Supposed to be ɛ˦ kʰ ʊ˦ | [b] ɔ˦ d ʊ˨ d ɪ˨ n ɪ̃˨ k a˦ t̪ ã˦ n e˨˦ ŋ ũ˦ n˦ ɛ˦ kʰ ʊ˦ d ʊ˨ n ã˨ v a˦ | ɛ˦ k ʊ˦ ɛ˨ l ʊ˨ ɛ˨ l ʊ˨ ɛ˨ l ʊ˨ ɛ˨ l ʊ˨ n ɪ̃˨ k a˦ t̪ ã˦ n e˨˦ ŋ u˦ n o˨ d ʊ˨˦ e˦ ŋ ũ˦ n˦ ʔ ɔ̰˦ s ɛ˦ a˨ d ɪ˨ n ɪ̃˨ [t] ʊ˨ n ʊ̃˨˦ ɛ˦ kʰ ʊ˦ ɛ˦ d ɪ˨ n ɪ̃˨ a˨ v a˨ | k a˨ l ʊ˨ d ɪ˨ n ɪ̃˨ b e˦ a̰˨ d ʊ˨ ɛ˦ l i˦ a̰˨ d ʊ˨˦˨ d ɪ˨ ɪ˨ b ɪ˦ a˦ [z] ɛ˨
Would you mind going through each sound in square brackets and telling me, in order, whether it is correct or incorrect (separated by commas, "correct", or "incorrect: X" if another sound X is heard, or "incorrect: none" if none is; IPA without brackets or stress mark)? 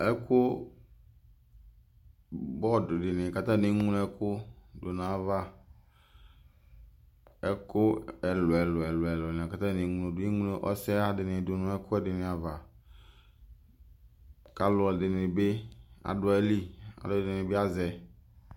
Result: correct, incorrect: d, correct